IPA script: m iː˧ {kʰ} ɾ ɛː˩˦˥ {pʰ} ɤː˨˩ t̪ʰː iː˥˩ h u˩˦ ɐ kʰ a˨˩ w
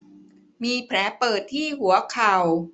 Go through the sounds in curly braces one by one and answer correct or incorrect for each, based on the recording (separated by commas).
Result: incorrect, incorrect